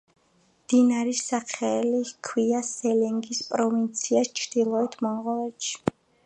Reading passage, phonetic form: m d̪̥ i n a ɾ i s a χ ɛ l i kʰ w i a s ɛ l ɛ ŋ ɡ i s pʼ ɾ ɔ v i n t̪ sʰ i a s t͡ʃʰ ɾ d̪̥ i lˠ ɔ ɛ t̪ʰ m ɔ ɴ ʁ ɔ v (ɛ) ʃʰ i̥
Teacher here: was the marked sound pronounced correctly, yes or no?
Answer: yes